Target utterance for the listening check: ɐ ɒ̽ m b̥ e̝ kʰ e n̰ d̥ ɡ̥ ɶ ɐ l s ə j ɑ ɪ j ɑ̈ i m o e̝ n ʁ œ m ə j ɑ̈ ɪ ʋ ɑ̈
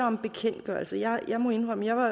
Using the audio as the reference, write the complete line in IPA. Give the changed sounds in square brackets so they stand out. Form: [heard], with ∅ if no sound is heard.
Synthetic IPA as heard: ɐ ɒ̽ m b̥ e̝ kʰ e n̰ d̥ ɡ̥ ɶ ɐ l s ə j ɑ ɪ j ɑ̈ [ɪ] m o e̝ n ʁ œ m ə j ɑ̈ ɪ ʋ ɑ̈